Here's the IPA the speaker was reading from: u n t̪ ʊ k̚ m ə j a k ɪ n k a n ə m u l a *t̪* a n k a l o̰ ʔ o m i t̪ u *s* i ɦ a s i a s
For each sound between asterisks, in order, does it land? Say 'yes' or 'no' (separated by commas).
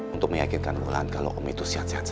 no, yes